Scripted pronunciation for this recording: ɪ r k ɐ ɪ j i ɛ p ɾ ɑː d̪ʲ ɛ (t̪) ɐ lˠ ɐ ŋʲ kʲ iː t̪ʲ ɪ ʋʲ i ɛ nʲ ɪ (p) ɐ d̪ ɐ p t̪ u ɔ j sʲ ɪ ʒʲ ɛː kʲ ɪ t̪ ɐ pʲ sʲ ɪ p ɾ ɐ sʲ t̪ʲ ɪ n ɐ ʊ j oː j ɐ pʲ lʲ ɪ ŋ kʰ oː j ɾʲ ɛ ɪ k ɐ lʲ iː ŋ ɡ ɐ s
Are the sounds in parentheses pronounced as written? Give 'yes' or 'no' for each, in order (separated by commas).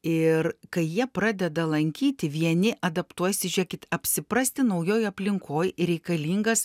no, no